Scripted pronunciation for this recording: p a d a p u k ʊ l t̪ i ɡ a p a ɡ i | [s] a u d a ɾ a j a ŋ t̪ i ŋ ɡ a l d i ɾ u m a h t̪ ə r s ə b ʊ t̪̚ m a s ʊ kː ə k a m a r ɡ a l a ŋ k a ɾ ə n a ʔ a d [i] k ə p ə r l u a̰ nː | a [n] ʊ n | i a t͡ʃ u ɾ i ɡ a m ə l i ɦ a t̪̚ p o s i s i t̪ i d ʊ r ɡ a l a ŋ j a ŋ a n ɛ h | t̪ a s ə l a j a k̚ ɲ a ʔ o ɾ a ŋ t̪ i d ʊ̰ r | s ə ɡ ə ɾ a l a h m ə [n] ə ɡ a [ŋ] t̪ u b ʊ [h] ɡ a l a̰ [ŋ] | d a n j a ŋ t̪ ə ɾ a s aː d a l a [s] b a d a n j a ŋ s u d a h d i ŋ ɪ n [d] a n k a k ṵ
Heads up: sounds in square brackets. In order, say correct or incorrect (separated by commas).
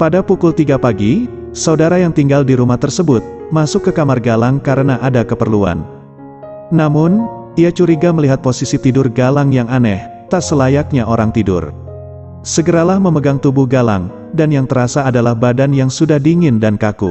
correct, incorrect, incorrect, incorrect, correct, correct, correct, incorrect, correct